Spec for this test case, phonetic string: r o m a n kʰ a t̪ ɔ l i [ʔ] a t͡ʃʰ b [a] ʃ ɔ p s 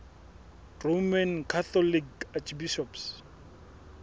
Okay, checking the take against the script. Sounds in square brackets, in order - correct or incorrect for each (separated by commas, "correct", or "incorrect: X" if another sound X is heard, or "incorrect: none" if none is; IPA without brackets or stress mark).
incorrect: k, incorrect: i